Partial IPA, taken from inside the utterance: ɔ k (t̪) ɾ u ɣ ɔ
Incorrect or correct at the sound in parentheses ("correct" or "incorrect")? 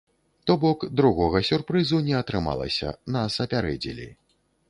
incorrect